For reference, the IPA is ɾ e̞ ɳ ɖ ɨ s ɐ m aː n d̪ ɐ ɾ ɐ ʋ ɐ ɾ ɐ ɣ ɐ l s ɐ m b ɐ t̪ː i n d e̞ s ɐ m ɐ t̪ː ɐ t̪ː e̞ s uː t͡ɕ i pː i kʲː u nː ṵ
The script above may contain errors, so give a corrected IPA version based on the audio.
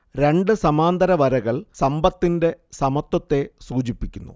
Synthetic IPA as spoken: ɾ e̞ ɳ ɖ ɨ s ɐ m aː n d̪ ɐ ɾ ɐ ʋ ɐ ɾ ɐ ɣ ɐ ɭ s ɐ m b ɐ t̪ː i n d e̞ s ɐ m ɐ t̪ː ɐ t̪ː e̞ s uː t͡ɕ i pː i kʲː u nː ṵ